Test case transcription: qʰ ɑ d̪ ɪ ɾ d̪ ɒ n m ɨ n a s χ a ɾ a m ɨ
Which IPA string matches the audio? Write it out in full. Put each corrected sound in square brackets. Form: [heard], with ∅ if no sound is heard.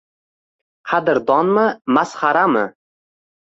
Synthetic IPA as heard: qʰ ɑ d̪ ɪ ɾ d̪ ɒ n m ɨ [m] a s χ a ɾ a m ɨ